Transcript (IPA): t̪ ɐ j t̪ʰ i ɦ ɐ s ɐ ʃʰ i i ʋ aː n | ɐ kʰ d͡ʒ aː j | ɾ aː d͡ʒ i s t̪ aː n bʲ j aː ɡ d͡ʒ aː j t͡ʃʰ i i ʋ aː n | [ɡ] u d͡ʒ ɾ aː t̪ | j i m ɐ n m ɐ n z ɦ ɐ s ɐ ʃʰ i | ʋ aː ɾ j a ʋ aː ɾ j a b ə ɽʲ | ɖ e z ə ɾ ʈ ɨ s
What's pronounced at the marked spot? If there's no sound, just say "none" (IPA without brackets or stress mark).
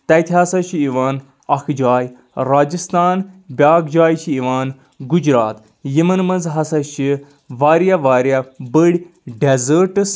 ɡ